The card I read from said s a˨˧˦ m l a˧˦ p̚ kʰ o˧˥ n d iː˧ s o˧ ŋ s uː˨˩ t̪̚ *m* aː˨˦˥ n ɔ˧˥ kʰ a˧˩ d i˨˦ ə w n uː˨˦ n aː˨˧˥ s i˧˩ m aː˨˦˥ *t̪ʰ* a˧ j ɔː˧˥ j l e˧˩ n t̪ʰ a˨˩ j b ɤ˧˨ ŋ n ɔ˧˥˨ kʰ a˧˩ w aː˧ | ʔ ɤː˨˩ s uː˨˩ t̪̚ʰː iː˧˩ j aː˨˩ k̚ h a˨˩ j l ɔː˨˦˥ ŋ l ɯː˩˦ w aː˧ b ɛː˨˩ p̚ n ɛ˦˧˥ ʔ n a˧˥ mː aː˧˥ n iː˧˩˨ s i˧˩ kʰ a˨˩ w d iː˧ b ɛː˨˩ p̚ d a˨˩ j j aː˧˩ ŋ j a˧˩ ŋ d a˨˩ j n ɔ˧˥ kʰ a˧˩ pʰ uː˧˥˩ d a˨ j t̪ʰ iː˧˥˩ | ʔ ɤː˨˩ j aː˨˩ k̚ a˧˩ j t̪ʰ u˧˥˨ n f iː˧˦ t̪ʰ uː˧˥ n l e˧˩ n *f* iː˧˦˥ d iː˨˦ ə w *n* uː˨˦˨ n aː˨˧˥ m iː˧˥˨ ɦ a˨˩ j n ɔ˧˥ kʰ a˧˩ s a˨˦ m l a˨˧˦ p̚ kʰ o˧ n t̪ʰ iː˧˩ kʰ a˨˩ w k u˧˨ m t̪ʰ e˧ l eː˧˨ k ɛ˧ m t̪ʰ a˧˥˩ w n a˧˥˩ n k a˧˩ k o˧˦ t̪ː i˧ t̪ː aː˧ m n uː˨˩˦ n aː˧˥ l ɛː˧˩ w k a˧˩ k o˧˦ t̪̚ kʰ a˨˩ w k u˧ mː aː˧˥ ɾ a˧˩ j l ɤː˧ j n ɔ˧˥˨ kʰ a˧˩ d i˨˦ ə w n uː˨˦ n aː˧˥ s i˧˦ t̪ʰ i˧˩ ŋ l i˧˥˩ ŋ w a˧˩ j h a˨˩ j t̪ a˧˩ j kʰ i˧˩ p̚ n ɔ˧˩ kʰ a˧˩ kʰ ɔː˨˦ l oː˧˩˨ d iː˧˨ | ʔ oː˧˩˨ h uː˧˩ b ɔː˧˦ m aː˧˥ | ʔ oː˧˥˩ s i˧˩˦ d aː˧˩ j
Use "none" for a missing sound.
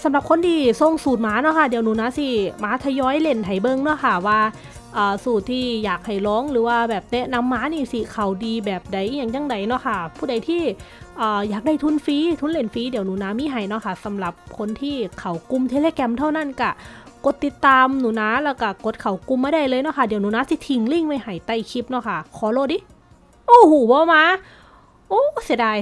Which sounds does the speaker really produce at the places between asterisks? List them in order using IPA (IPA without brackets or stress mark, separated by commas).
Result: m, t̪ʰ, f, n